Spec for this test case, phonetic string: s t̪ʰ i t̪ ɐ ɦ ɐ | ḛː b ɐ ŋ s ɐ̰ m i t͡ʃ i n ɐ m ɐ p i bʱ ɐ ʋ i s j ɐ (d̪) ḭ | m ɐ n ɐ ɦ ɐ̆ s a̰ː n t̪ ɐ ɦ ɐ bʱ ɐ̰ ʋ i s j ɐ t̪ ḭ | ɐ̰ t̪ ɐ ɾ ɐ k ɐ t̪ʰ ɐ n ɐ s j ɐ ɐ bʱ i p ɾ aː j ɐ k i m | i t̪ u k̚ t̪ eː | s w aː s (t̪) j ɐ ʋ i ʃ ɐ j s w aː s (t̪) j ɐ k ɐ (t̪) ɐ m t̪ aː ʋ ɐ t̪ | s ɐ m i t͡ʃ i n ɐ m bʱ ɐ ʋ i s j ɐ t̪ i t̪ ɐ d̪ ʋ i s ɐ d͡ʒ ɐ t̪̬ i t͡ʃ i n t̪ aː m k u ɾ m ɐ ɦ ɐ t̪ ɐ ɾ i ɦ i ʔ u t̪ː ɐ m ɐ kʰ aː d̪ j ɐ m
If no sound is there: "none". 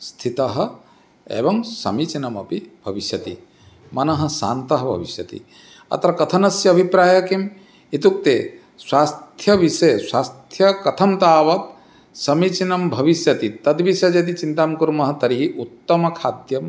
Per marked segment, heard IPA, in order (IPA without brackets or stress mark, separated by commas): t̪, t̪ʰ, t̪ʰ, t̪ʰ